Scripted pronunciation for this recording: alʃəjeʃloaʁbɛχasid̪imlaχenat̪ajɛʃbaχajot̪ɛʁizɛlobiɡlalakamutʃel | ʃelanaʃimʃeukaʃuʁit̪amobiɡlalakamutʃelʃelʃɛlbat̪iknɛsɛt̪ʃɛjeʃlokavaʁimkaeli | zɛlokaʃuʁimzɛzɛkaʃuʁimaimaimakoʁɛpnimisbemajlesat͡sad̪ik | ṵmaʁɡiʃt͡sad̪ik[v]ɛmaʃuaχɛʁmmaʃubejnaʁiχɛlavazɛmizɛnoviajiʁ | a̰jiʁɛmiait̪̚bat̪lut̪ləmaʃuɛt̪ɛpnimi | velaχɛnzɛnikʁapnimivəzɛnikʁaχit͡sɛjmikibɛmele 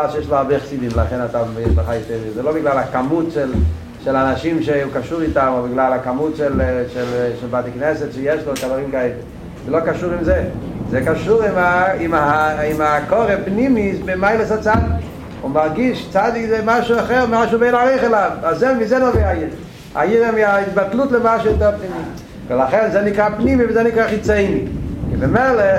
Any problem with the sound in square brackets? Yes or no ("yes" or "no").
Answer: yes